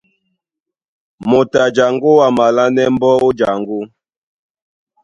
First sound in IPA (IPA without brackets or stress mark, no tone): m